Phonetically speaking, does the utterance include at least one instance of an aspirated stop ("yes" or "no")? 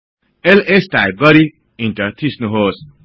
yes